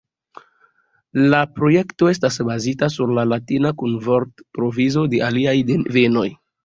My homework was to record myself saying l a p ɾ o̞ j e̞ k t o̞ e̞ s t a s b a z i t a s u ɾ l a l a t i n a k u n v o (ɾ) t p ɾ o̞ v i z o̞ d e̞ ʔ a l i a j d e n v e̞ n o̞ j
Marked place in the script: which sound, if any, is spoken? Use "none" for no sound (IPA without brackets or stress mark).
ɾ